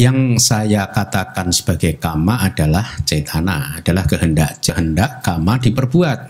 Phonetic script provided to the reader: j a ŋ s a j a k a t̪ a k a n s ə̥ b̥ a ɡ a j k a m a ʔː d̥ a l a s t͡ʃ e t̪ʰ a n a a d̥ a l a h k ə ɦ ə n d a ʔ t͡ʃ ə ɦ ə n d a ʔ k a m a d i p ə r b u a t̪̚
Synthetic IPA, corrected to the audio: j a ŋ s a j a k a t̪ a k a n s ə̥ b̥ a ɡ a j k a m a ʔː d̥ a l a h t͡ʃ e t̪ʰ a n a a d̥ a l a h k ə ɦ ə n d a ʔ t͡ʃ ə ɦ ə n d a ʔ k a m a d i p ə r b u a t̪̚